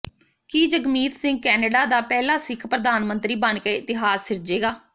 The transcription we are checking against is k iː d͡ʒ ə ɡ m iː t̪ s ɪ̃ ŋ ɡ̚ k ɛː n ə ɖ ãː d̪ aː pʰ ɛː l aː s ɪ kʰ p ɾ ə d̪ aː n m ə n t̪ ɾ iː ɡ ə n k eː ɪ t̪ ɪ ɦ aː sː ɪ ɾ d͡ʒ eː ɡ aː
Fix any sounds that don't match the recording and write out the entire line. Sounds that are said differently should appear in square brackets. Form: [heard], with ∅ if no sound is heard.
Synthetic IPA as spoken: k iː d͡ʒ ə ɡ m iː t̪ s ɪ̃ ŋ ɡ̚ k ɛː n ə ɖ [aː] d̪ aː [p] ɛː l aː s ɪ kʰ p ɾ ə d̪ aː n m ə n t̪ ɾ iː [b] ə n k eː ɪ t̪ ɪ ɦ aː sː ɪ ɾ d͡ʒ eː ɡ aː

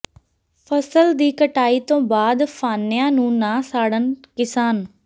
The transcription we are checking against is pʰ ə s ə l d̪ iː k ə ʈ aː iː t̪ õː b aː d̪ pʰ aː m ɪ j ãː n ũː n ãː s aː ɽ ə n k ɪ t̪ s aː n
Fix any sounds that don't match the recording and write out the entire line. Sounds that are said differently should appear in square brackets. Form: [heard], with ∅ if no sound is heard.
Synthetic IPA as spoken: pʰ ə s ə l d̪ iː k ə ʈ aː iː t̪ õː b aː d̪ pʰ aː [n] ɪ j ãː n ũː n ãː s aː ɽ ə n k ɪ [∅] s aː n

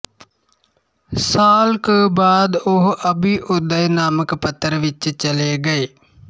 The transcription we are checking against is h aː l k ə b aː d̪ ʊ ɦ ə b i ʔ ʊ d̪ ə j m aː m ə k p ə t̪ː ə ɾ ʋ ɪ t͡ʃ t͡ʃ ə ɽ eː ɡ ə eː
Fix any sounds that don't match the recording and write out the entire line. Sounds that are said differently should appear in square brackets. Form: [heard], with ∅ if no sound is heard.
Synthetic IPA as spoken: [s] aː l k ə b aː d̪ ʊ ɦ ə b i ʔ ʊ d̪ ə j [n] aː m ə k p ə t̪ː ə ɾ ʋ ɪ t͡ʃ t͡ʃ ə [l] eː ɡ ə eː

